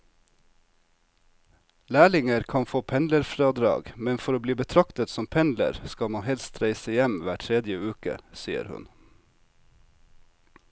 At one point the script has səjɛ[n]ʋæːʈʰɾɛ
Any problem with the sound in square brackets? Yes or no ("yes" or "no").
yes